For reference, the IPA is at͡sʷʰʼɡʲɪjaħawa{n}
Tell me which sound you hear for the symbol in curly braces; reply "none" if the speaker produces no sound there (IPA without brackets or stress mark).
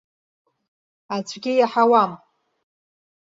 m